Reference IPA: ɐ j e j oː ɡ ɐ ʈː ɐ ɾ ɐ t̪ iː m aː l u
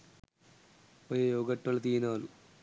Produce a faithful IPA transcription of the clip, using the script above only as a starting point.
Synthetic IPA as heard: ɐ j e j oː ɡ ɐ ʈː ɐ l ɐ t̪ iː n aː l u